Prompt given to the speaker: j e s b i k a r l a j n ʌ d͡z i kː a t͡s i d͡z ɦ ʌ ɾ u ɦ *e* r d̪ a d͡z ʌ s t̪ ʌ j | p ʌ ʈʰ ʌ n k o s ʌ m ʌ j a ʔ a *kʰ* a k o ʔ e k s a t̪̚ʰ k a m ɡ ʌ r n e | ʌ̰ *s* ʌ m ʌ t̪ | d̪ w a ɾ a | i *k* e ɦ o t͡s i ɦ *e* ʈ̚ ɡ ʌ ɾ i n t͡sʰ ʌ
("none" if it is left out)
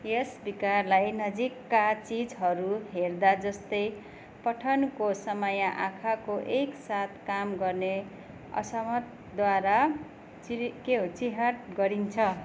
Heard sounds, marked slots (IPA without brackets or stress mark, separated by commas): e, kʰ, s, k, a